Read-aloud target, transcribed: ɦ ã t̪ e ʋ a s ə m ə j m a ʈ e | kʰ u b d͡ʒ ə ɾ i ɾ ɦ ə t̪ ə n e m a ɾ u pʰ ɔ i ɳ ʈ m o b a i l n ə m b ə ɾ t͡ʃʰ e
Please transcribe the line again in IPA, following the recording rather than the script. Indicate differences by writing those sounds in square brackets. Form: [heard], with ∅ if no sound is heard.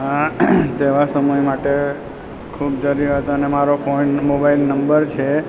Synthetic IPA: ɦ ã t̪ e ʋ a s ə m ə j m a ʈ e | kʰ u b d͡ʒ ə ɾ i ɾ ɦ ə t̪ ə n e m a ɾ [o] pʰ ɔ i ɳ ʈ m o b a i l n ə m b ə ɾ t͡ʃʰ e